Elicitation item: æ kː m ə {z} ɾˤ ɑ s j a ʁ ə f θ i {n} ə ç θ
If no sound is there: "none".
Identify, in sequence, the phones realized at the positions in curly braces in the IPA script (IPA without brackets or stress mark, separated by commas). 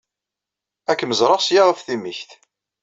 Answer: z, m